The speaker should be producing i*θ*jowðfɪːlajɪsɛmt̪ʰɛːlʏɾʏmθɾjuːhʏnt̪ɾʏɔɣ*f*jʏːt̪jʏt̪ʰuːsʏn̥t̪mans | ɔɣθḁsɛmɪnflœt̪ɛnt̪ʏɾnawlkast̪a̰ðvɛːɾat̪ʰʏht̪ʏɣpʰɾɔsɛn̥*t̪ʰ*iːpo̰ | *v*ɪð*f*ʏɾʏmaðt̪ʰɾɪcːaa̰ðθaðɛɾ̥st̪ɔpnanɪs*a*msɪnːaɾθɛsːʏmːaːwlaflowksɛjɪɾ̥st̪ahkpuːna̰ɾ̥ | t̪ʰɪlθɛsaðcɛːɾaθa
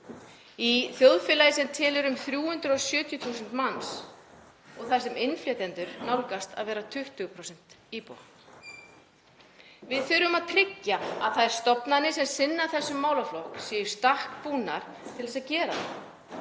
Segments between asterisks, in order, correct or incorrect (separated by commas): correct, incorrect, incorrect, correct, incorrect, incorrect